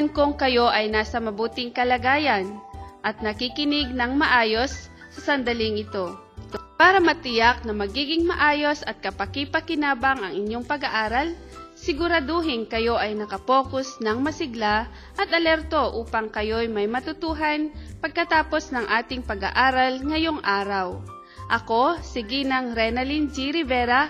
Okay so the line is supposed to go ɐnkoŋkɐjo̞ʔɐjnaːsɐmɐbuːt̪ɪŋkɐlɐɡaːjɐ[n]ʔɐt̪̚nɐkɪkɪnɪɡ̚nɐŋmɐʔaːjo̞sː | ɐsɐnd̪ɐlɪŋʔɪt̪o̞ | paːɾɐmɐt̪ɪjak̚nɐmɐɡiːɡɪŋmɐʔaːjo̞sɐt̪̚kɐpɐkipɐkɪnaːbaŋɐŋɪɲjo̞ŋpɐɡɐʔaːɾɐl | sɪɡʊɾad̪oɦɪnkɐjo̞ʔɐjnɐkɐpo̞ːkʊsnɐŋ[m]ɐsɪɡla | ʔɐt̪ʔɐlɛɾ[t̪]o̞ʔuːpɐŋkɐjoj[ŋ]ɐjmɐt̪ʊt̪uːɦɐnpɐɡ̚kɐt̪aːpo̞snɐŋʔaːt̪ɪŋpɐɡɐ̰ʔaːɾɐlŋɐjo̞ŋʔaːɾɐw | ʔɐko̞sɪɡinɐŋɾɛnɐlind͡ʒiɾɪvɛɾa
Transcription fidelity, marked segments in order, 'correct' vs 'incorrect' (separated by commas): correct, correct, correct, incorrect